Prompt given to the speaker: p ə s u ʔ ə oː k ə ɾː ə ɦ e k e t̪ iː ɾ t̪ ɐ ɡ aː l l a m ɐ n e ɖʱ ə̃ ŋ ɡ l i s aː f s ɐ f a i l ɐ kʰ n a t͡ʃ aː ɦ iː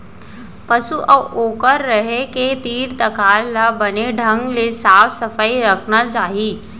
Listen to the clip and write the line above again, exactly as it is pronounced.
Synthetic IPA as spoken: p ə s u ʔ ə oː k ə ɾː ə ɦ e k e t̪ iː ɾ t̪ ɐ k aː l l a b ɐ n e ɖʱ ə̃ ŋ ɡ l e s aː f s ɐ f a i ɾ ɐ kʰ n a t͡ʃ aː ɦ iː